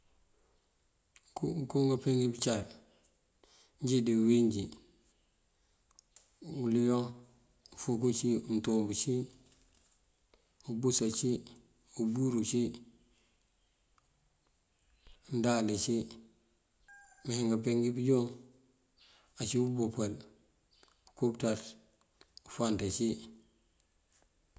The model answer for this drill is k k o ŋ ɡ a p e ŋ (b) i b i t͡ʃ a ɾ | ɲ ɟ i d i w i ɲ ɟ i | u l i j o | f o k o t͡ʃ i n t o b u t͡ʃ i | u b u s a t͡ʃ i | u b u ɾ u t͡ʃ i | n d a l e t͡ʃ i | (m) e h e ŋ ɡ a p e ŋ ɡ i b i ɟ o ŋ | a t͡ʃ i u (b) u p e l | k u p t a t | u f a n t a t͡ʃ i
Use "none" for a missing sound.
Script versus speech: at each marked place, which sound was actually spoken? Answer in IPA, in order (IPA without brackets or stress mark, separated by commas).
ɡ, m, b